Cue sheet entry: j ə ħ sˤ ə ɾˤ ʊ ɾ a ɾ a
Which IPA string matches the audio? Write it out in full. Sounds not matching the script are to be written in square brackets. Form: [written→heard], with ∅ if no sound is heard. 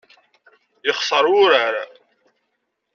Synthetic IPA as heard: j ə [ħ→χ] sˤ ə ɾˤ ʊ ɾ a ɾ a